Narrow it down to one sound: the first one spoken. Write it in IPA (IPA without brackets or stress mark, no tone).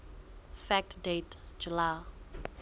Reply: f